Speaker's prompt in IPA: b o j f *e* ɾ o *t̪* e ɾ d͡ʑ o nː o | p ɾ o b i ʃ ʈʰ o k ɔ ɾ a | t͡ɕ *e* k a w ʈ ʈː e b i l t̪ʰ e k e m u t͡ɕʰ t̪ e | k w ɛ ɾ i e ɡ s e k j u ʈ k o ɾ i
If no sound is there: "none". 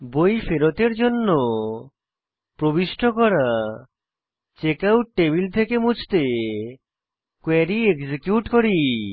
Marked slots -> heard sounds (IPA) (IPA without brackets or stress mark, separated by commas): e, t̪, e